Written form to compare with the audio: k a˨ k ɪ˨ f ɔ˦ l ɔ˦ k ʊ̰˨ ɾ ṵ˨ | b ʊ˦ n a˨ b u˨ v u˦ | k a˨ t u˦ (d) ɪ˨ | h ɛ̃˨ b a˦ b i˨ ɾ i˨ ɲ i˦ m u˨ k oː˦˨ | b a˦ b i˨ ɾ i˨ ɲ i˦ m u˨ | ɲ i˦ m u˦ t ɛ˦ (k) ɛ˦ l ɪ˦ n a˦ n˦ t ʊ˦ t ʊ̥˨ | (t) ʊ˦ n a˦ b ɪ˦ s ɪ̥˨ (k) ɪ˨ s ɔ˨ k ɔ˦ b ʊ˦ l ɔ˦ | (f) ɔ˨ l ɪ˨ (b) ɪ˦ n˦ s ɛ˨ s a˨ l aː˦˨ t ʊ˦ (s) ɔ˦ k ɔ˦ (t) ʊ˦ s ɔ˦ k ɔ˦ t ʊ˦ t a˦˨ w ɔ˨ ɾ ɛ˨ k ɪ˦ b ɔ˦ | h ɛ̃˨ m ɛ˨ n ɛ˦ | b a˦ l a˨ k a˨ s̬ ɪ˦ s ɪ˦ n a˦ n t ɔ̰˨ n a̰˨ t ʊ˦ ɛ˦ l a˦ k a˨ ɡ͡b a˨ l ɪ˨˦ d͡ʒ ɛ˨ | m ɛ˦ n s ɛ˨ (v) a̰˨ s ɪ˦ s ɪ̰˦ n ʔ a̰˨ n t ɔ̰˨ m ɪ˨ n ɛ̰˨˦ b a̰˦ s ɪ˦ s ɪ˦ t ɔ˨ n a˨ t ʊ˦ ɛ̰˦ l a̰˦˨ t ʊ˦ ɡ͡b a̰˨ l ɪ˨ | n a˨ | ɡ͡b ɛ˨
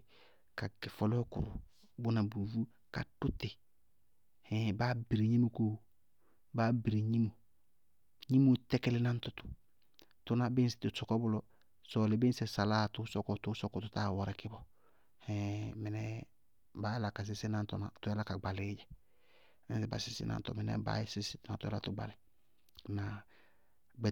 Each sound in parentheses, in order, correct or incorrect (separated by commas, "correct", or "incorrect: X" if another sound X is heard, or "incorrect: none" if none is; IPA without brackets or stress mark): incorrect: t, correct, correct, incorrect: t, incorrect: s, correct, correct, correct, incorrect: b